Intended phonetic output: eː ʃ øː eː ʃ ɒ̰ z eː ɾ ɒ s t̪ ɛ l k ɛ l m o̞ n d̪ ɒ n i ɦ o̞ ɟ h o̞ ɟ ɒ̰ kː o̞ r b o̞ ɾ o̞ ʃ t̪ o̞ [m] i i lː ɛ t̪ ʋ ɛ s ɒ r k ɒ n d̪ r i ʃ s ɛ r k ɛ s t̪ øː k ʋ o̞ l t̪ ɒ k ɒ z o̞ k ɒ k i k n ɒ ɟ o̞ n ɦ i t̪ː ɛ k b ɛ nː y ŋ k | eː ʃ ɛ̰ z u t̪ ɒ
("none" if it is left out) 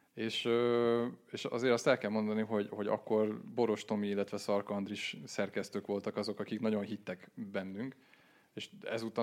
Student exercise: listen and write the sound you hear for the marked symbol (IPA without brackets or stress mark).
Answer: m